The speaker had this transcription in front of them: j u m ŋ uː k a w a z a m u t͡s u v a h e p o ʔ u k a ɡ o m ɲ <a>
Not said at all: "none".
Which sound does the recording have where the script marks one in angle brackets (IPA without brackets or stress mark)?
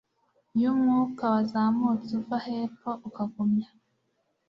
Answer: a